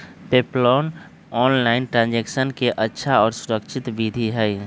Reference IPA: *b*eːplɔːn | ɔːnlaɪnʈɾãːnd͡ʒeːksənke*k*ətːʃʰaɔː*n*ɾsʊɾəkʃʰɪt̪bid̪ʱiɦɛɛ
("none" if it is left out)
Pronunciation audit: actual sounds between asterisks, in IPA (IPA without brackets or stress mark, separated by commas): p, ʔ, none